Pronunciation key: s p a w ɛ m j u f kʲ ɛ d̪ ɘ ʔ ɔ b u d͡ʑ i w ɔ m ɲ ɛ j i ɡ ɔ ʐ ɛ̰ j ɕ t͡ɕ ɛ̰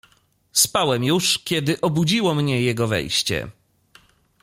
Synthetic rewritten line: s p a w ɛ m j u ʂ kʲ ɛ d̪ ɘ ʔ ɔ b u d͡ʑ i w ɔ m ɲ ɛ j ɛ ɡ ɔ v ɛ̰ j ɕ t͡ɕ ɛ̰